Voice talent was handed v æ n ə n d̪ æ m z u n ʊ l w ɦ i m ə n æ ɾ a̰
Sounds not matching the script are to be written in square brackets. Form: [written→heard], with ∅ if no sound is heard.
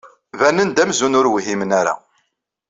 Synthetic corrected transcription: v æ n ə n d̪ æ m z u n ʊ [l→ɾ] w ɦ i m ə n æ ɾ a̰